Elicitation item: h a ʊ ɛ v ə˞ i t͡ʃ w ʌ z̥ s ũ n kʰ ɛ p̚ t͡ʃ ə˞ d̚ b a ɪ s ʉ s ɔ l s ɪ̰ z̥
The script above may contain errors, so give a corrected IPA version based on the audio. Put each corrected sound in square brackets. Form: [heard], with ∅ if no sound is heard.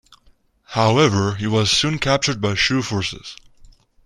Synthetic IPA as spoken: h a ʊ ɛ v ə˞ i [∅] w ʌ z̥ s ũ n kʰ [æ] p̚ t͡ʃ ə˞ d̚ b a ɪ [ʃ] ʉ [f] ɔ [ɹ] s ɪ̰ z̥